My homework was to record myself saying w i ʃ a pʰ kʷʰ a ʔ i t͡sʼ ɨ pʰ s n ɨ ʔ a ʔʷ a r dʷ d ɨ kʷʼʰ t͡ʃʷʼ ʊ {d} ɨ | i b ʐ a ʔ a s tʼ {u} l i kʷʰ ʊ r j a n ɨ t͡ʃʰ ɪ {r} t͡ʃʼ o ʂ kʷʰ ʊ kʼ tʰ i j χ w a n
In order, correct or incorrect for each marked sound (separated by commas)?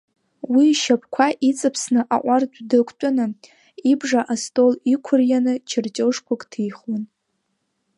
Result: incorrect, incorrect, correct